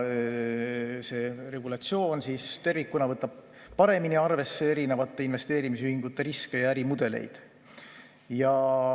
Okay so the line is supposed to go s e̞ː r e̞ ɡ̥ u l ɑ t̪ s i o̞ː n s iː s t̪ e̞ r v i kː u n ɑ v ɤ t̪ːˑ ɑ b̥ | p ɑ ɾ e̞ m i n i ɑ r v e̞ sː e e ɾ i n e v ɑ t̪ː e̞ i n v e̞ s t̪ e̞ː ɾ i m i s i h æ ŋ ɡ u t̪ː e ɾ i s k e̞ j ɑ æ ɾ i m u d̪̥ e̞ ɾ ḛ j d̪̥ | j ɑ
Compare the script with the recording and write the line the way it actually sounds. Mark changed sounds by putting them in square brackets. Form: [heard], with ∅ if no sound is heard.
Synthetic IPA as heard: s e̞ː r e̞ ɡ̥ u l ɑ t̪ s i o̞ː n s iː s t̪ e̞ r v i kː u n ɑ v ɤ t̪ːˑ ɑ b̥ | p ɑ ɾ e̞ m i n i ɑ r v e̞ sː e e ɾ i n e v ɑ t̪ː e̞ i n v e̞ s t̪ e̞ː ɾ i m i s [y] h [i] ŋ ɡ u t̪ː e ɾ i s k e̞ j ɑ æ ɾ i m u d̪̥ e̞ [l] ḛ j d̪̥ | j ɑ